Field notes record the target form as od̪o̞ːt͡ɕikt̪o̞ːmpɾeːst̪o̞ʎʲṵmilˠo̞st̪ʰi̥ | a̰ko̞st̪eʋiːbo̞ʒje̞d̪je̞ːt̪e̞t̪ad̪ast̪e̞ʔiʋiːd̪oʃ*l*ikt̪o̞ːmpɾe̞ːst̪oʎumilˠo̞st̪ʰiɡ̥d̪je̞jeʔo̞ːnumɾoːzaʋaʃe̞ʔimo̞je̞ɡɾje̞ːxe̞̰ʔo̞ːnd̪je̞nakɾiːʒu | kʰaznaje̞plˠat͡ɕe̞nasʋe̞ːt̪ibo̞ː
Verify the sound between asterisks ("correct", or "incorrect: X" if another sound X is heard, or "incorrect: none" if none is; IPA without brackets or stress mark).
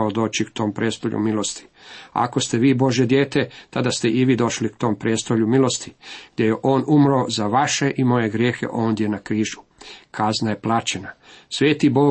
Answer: correct